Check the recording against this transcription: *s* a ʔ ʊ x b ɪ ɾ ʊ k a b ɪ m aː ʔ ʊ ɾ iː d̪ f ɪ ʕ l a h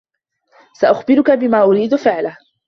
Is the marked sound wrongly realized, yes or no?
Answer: no